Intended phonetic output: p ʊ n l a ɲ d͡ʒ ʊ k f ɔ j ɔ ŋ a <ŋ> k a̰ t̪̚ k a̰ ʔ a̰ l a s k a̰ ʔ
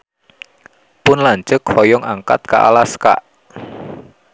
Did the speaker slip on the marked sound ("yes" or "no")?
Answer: no